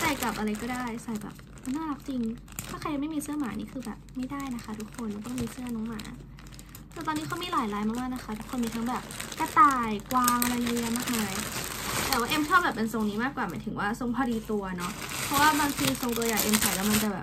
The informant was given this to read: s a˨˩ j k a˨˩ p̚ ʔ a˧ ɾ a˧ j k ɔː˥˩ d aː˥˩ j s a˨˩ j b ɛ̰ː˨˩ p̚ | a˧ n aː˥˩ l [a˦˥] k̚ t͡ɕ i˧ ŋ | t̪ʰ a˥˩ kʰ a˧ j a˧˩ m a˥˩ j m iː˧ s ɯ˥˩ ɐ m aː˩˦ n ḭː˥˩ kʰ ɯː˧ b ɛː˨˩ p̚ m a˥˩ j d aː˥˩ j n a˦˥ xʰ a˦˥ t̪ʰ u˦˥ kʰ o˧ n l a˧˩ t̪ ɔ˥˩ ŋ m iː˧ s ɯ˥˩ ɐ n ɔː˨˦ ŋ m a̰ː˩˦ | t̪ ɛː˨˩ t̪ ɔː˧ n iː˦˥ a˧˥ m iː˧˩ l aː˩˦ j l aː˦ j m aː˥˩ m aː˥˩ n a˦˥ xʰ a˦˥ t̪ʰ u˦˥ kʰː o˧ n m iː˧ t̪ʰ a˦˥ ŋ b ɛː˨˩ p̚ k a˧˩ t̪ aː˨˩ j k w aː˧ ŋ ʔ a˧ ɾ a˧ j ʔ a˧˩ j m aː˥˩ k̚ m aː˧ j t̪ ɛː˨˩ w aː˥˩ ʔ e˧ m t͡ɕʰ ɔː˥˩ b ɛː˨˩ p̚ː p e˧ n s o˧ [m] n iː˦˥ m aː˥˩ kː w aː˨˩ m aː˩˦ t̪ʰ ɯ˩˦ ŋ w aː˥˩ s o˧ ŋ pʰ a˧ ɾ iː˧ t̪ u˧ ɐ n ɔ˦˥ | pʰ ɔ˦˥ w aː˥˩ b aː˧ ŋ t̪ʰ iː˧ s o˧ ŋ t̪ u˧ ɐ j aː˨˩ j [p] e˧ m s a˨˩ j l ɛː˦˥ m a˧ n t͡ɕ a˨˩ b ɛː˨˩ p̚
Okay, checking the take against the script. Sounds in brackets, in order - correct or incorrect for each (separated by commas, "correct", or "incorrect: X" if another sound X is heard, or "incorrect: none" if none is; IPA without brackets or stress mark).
correct, incorrect: ŋ, incorrect: ʔ